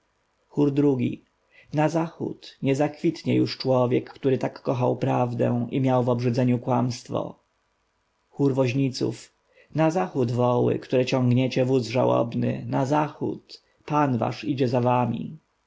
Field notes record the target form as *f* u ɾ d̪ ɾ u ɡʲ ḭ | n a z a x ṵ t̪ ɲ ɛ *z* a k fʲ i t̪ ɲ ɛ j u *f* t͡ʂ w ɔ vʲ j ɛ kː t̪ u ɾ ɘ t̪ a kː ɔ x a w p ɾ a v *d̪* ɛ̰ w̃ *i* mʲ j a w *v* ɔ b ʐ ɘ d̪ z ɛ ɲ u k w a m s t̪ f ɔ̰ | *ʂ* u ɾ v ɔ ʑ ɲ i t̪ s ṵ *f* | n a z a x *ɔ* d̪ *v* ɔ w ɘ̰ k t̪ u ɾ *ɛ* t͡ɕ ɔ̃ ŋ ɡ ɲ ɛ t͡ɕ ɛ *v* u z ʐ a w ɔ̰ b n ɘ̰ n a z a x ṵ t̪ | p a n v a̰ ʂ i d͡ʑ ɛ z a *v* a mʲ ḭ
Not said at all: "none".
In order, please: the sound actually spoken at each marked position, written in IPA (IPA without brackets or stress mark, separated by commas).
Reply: x, z, ʂ, d̪, i, v, x, f, u, v, ɛ, v, v